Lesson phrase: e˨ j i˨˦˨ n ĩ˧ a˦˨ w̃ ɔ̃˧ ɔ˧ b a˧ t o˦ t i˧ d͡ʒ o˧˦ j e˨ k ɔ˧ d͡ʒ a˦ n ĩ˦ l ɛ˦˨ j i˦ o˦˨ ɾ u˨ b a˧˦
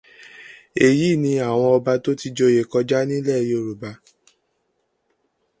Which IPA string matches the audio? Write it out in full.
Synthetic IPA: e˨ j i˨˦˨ n ĩ˧ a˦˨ w̃ ɔ̃˧ ɔ˧ b a˧ t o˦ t i˧ d͡ʒ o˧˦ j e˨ k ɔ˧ d͡ʒ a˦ n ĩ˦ l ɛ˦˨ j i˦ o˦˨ ɾ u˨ b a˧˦